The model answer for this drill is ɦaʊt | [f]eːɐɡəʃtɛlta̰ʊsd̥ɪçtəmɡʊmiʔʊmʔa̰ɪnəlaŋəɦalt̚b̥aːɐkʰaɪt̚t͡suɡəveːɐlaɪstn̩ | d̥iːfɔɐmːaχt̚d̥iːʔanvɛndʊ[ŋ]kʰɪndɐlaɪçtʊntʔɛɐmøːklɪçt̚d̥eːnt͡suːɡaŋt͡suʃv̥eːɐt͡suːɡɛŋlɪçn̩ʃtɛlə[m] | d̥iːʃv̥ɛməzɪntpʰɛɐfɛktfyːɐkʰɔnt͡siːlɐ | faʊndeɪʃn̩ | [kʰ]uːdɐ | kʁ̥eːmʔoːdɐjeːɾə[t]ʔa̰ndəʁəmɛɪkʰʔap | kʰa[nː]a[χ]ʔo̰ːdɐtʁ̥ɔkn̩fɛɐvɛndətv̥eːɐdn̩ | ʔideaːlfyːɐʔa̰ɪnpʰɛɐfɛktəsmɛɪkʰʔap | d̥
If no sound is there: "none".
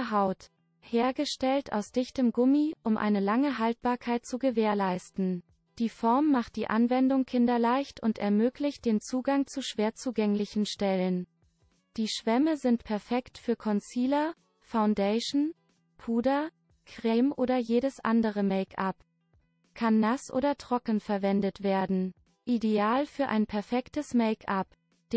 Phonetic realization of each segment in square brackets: h, ŋ, n, pʰ, s, nː, s

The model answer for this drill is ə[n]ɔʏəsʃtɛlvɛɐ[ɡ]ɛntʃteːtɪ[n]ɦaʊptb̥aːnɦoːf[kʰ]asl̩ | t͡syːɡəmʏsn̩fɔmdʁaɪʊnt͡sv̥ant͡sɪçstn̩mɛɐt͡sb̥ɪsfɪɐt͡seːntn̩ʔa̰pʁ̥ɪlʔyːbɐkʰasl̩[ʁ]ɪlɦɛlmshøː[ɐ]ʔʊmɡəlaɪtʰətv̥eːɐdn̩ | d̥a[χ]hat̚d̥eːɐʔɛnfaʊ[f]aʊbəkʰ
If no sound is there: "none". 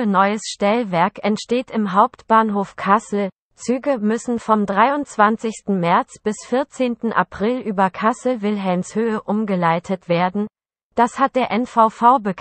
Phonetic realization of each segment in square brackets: n, k, m, kʰ, v, ə, s, f

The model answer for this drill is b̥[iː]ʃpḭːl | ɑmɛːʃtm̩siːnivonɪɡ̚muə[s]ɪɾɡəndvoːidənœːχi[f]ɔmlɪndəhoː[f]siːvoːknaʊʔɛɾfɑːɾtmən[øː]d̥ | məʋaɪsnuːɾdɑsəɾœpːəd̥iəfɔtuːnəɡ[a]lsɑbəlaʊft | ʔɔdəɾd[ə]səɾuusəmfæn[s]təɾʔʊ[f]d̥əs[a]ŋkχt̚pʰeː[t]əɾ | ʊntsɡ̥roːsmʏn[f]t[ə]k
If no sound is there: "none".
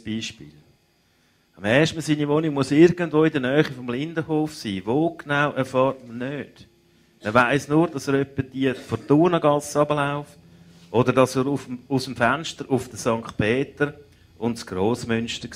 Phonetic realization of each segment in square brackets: iː, s, f, f, øː, ɑ, ɑ, ʃ, f, ɑ, t, ʃ, ə

